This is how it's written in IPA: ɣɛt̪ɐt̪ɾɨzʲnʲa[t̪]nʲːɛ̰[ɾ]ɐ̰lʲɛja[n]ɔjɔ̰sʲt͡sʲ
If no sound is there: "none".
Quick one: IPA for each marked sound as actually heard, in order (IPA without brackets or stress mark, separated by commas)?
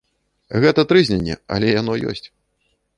none, none, n